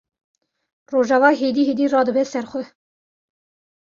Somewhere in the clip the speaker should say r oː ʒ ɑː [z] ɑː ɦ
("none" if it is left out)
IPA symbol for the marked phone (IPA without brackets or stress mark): v